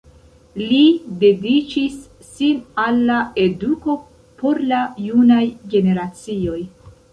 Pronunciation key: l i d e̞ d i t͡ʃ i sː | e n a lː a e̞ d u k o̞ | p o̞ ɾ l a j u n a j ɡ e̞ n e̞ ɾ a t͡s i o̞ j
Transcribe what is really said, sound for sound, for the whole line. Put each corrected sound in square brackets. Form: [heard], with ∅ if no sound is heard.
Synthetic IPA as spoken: l i d e̞ d i t͡ʃ i sː | [i] n a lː a e̞ d u k o̞ | p o̞ ɾ l a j u n a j ɡ e̞ n e̞ ɾ a t͡s i o̞ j